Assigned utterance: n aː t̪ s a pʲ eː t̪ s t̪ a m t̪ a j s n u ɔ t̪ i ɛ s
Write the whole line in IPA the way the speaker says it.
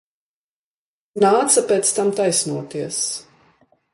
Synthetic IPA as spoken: n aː t̪ s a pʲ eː t̪ s t̪ a m t̪ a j s n u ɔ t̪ i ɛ s